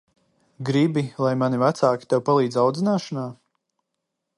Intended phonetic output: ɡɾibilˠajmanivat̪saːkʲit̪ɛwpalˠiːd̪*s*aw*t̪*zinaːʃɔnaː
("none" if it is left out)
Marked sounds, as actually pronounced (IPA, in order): z, d̪

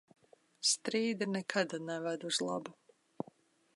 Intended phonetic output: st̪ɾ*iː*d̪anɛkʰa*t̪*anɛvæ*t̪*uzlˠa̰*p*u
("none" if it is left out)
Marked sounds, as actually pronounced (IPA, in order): iː, d̪, d̪, b

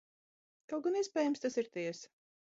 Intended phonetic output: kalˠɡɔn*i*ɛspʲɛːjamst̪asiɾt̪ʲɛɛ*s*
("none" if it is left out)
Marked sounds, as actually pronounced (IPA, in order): i, s

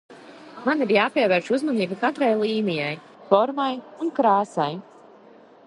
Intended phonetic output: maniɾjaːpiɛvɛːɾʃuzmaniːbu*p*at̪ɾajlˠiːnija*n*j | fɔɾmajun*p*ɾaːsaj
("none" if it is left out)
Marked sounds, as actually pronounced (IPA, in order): k, none, k

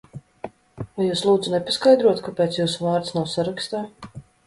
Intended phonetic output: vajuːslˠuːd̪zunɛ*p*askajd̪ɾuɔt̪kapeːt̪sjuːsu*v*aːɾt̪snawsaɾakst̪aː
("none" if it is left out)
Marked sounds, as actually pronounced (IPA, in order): p, v

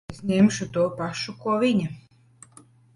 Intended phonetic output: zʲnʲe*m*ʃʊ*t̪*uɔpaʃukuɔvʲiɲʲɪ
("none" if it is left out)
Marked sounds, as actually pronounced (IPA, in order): m, t̪

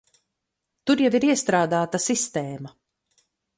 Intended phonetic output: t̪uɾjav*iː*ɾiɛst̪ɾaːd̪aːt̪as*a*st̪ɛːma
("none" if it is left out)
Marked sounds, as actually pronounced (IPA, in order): i, i

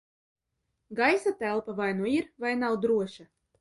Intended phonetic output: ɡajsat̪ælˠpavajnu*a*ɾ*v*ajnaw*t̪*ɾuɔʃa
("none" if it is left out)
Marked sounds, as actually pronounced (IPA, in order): i, v, d̪

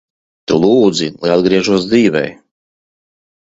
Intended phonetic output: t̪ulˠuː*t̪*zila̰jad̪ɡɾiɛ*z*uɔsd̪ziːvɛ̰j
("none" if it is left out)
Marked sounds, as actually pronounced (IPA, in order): d̪, ʒ

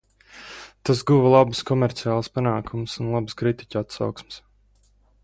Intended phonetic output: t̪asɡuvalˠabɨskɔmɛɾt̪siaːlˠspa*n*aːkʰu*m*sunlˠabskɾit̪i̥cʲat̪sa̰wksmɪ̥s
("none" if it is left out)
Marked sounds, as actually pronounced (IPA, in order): n, m

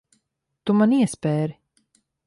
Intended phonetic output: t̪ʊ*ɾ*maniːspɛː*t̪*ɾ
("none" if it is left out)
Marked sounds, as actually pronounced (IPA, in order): none, none

